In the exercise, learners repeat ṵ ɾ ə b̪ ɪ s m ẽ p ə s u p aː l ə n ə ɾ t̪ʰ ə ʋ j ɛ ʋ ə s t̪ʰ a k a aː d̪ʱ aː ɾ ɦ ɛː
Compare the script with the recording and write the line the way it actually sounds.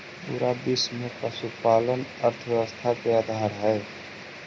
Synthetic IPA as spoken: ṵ ɾ a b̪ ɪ s m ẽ p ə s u p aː l ə n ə ɾ t̪ʰ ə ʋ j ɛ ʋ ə s t̪ʰ a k e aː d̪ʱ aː ɾ ɦ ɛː